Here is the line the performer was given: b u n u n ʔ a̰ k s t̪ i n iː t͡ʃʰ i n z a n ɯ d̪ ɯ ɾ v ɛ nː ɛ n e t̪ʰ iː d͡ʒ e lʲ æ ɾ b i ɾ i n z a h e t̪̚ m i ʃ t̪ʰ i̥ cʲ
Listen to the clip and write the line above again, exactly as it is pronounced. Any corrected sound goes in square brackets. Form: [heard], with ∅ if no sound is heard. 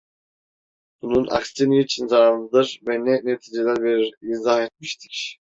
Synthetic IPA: b u n u n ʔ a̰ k s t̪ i n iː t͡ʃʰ i n z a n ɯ d̪ ɯ ɾ v ɛ [n] ɛ n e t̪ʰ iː d͡ʒ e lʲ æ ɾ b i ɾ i n z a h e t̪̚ m i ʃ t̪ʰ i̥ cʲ